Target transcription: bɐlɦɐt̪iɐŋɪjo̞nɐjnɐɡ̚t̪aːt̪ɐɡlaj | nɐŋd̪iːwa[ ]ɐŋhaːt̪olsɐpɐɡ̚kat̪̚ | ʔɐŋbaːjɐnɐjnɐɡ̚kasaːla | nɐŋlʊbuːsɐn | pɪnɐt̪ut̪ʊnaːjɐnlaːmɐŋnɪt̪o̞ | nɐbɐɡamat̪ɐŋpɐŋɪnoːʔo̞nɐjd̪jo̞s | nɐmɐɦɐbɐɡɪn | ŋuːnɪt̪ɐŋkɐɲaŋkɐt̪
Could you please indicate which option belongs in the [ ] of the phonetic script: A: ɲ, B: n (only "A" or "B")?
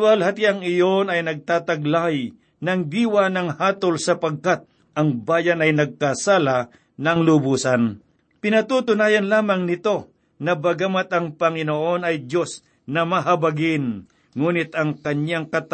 B